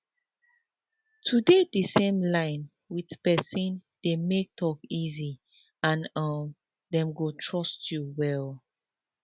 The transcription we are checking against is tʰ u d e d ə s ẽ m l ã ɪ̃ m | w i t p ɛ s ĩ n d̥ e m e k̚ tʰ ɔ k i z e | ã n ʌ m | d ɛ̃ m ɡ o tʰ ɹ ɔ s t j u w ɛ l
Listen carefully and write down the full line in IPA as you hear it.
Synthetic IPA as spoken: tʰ u d e d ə s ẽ m l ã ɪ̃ n | w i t p ɛ s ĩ n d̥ e m e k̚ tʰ ɔ k i z i | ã n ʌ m | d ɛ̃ m ɡ o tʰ ɹ ɔ s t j u w ɛ l